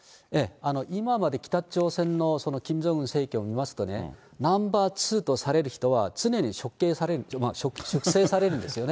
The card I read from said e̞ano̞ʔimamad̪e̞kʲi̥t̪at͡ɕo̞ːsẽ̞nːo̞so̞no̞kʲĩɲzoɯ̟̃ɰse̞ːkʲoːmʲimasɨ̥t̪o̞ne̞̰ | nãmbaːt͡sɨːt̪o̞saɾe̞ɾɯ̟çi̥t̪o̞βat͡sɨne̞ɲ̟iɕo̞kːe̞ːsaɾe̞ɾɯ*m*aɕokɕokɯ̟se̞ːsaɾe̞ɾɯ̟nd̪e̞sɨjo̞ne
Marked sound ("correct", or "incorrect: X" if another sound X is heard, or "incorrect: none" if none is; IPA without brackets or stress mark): correct